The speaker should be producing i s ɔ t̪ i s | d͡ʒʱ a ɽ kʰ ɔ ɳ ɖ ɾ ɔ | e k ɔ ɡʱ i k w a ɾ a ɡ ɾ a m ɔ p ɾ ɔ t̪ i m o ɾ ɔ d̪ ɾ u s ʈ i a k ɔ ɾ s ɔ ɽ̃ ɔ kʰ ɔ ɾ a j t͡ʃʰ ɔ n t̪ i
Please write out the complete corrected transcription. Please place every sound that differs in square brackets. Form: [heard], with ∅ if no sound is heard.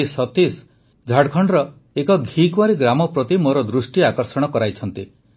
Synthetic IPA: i s ɔ t̪ i s | d͡ʒʱ a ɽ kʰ ɔ ɳ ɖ ɾ ɔ | e k ɔ ɡʱ i k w a ɾ [i] ɡ ɾ a m ɔ p ɾ ɔ t̪ i m o ɾ ɔ d̪ ɾ u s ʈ i a k ɔ ɾ s ɔ ɽ̃ ɔ [k] ɔ ɾ a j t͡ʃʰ ɔ n t̪ i